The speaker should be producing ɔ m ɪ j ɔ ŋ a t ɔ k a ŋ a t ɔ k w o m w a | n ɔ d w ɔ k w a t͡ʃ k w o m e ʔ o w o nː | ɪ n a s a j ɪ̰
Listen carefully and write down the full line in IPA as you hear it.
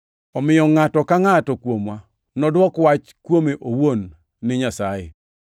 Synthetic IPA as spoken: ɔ m ɪ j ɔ ŋ a t ɔ k a ŋ a t ɔ k w o m w a | n ɔ d w ɔ k w a t͡ʃ k w o m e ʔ o w o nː | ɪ ɲ a s a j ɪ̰